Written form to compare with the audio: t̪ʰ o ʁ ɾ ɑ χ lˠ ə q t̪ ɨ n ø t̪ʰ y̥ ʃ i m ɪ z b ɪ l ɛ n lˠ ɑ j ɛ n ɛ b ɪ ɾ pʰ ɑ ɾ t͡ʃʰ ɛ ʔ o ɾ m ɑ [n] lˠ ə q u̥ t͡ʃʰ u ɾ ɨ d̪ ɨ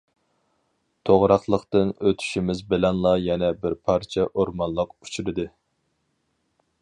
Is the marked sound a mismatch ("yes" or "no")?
no